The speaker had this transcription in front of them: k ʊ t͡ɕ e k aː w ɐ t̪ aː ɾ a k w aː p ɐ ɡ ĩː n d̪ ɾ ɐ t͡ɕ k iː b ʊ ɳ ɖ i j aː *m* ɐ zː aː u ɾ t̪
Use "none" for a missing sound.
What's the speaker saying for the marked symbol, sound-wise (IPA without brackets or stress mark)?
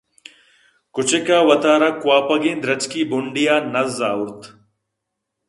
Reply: n